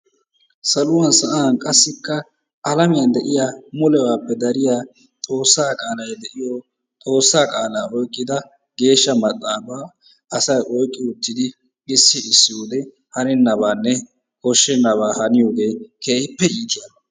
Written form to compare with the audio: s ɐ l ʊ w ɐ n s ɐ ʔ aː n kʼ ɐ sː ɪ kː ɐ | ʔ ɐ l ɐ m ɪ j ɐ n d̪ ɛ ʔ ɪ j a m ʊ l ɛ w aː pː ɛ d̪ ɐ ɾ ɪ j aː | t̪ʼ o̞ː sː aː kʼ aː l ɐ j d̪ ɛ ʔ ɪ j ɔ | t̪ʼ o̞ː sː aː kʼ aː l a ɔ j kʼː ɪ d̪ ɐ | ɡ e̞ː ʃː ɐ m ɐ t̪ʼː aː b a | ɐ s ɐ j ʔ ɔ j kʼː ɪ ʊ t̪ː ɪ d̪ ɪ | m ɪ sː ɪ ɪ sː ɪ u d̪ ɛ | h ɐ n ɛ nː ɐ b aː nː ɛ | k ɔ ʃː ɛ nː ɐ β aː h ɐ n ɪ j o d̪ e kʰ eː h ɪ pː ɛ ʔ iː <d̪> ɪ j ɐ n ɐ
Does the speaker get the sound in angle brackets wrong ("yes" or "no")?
yes